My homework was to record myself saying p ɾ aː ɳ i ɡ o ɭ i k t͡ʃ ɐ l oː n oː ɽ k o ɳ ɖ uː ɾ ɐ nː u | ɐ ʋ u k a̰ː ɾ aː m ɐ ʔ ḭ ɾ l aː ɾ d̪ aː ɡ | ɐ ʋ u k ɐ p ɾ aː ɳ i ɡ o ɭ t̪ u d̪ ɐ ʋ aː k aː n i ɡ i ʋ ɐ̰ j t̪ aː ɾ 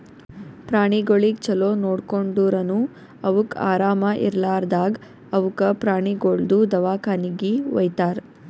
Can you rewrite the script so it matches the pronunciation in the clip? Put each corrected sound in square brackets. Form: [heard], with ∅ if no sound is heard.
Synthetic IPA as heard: p ɾ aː ɳ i ɡ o ɭ i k t͡ʃ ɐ l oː n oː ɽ k o ɳ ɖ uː ɾ ɐ [n] u | ɐ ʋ u k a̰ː ɾ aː m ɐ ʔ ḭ ɾ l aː ɾ d̪ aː ɡ | ɐ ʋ u k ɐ p ɾ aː ɳ i ɡ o ɭ [d̪] u d̪ ɐ ʋ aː k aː n i ɡ i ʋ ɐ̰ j t̪ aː ɾ